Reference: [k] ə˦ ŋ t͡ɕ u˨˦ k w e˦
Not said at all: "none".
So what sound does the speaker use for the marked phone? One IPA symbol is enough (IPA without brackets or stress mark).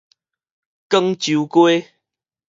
k